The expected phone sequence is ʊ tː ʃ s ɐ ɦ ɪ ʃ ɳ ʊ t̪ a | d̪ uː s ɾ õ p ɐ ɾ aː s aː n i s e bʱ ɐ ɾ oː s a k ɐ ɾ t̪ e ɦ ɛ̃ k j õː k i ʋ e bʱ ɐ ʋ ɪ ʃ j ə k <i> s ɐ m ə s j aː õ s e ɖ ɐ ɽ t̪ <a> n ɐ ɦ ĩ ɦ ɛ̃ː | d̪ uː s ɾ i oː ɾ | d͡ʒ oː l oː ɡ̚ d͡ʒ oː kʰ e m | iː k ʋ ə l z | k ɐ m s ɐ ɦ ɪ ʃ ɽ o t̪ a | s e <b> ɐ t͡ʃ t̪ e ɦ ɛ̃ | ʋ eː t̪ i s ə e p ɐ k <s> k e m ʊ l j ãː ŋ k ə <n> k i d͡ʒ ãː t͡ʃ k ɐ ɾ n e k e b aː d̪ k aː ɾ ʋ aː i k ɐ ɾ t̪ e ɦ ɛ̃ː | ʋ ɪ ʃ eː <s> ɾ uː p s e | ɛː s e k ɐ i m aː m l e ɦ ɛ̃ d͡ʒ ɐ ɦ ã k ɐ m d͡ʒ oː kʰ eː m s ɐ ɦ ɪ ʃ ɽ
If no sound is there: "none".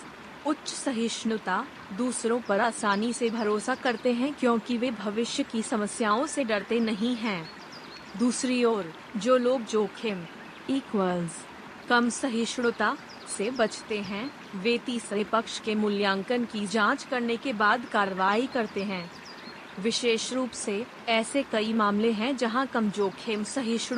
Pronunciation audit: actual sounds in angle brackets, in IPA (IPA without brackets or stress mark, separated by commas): i, e, b, ʃ, n, ʃ